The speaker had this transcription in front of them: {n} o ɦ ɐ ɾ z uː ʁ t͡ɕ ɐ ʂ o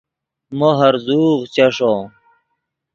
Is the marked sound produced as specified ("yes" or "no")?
no